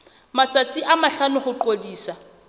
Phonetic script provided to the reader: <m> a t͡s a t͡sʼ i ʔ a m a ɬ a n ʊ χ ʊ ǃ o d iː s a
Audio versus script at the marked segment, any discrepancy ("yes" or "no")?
no